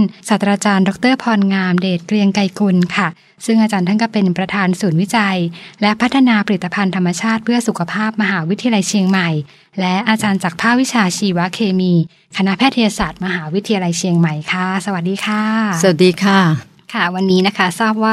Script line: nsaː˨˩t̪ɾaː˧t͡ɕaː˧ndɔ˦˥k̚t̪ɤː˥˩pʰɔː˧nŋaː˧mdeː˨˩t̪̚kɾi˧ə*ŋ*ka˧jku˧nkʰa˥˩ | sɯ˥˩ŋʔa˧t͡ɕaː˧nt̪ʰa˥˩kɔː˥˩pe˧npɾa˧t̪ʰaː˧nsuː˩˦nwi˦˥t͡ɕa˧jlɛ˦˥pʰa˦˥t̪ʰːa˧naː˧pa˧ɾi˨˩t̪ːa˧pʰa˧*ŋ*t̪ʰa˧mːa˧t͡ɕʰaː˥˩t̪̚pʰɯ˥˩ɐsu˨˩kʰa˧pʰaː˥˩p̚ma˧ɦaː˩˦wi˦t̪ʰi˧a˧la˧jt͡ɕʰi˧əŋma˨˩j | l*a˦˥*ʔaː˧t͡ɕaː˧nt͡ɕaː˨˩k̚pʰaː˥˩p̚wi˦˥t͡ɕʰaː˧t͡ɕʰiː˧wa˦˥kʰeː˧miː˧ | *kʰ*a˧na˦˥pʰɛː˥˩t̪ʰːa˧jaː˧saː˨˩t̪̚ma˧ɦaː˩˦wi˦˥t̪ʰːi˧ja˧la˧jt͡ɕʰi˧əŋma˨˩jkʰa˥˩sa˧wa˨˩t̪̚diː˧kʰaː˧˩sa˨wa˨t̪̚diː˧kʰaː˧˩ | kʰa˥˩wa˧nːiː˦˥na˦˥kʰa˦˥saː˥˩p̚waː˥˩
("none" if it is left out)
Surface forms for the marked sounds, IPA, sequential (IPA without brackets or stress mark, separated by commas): ŋ, n, ɛ˦˥, kʰ